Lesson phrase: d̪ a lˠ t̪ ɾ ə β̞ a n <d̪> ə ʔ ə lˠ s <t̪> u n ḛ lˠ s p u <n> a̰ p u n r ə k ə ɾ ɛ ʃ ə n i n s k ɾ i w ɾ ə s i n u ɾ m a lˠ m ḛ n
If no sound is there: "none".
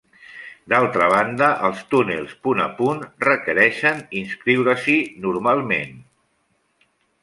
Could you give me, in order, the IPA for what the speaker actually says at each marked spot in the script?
d̪, t̪, n

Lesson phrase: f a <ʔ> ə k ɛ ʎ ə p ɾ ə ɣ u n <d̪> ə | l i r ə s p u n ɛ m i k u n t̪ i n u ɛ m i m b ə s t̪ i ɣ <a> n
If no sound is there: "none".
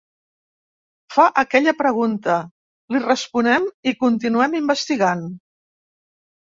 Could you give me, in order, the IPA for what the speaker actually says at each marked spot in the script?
ʔ, t̪, a

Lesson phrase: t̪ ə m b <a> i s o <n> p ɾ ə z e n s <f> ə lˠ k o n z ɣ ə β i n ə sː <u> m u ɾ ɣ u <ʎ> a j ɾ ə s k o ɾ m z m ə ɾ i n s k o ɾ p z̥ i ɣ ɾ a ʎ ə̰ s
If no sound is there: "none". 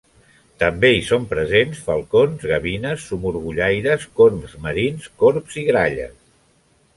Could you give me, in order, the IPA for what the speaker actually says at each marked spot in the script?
e, m, f, u, ʎ

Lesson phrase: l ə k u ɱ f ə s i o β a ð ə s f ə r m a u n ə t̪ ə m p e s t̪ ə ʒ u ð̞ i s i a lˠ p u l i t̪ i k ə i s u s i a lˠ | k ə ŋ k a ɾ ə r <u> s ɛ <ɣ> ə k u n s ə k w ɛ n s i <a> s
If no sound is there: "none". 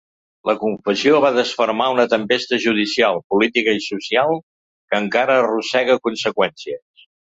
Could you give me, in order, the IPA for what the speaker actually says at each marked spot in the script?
u, ɣ, ə

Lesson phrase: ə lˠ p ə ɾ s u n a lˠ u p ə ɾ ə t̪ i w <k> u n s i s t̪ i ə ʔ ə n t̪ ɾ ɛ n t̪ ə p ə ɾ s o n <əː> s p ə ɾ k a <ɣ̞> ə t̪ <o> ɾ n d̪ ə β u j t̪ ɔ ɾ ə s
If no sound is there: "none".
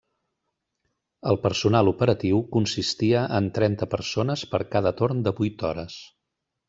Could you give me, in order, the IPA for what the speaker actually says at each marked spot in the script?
k, ə, ð̞, o

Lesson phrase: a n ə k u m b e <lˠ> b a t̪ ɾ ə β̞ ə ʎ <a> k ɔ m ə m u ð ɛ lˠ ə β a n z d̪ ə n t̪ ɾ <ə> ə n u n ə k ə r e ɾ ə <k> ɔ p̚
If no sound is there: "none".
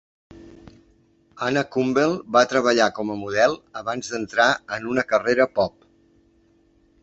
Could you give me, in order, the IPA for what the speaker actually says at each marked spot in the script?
lˠ, a, a, p

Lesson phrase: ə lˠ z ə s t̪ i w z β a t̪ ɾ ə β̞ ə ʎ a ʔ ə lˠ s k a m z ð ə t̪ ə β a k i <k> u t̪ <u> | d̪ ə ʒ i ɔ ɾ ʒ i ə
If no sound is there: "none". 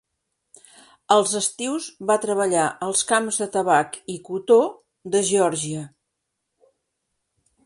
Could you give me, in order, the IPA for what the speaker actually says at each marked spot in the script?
k, o

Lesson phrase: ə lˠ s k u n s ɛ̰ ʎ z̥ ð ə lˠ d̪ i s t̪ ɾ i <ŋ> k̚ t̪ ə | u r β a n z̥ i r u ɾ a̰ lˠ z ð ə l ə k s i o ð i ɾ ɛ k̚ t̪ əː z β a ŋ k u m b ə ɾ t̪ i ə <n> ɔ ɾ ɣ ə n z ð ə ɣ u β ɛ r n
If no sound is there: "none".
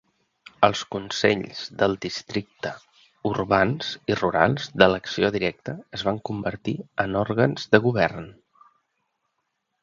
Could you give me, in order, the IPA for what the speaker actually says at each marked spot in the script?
none, n

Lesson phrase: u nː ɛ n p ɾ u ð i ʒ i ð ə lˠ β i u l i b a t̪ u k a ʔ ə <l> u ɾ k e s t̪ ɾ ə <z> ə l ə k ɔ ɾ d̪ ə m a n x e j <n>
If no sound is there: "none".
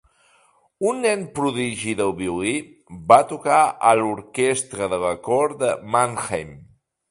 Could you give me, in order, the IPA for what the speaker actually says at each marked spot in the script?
l, ð, m

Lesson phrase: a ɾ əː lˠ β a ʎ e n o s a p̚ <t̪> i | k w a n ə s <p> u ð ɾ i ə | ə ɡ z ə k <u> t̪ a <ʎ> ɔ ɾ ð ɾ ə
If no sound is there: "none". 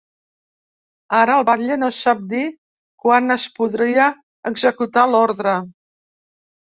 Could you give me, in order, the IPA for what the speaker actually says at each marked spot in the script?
d̪, p, u, l

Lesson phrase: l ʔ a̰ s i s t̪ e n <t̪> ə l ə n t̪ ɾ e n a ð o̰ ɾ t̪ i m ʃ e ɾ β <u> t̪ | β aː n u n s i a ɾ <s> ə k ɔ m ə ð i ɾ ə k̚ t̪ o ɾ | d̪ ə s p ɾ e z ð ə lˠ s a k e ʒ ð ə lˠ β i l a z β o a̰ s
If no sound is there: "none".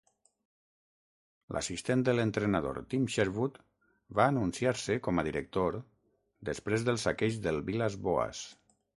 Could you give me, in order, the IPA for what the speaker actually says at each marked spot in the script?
d̪, u, s

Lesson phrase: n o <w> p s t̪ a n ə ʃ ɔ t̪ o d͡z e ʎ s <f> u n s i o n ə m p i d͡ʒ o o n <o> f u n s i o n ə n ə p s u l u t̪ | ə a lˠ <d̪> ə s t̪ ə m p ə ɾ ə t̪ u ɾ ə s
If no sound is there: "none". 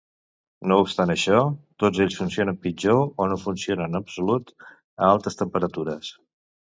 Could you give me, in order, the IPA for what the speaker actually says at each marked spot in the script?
u, f, o, t̪

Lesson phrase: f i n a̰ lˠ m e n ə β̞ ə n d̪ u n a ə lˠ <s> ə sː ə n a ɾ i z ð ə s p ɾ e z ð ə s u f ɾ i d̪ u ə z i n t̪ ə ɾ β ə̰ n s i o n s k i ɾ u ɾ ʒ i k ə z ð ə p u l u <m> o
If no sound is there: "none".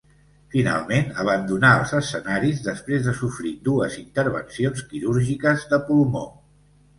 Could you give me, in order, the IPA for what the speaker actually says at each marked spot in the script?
z, m

